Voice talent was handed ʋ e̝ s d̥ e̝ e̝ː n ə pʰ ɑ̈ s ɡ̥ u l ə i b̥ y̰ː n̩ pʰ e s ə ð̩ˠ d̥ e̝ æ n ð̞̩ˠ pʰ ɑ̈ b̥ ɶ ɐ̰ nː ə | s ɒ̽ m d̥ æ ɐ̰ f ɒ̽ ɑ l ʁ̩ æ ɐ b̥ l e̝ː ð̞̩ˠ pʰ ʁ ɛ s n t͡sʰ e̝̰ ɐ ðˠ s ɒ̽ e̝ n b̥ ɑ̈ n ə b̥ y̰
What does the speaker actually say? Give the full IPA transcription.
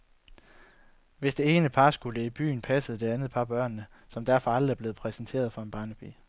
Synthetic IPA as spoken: ʋ e̝ s d̥ e̝ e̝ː n ə pʰ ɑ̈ s ɡ̥ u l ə i b̥ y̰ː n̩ pʰ æ s ə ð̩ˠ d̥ e̝ æ n ð̞̩ˠ pʰ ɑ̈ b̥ ɶ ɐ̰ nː ə | s ɒ̽ m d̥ æ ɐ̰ f ɒ̽ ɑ l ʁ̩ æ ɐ b̥ l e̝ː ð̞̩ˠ pʰ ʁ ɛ s n t͡sʰ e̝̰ ɐ ðˠ f ɒ̽ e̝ n b̥ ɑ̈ n ə b̥ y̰